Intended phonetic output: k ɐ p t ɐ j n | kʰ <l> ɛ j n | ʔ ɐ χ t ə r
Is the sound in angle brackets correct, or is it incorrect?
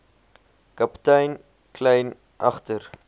correct